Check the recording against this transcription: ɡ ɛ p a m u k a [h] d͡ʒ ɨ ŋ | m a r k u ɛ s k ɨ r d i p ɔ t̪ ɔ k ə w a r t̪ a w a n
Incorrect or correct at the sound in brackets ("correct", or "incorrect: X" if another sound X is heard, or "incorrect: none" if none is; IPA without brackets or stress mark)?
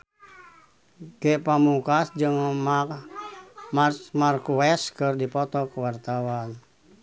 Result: incorrect: s